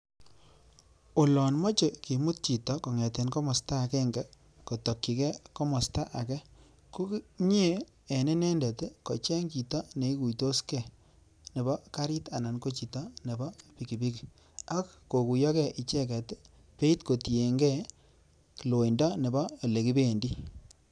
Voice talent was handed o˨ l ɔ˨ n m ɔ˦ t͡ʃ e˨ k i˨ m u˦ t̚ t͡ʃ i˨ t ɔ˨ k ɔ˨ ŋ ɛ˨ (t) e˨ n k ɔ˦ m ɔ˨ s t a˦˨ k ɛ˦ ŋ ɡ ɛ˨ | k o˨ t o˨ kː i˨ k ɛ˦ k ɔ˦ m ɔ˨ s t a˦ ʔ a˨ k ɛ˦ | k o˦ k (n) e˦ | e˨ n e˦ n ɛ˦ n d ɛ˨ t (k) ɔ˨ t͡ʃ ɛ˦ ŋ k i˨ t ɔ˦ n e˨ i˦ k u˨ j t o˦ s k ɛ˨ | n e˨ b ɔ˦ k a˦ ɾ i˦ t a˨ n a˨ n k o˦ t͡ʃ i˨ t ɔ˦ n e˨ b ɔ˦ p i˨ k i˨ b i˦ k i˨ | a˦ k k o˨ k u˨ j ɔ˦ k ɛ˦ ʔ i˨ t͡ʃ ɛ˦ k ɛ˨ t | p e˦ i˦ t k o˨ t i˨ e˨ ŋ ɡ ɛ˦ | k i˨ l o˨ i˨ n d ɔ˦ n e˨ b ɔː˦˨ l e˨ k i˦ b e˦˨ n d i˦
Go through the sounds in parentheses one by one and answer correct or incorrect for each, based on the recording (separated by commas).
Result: correct, incorrect, correct